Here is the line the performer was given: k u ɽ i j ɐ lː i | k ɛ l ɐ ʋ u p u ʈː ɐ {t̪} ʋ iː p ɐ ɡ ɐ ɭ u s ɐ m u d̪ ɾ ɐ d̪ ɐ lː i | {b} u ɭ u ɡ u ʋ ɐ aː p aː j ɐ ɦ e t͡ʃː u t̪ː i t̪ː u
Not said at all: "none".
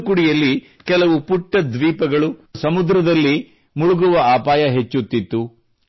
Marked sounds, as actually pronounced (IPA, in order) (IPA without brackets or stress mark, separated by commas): d̪, m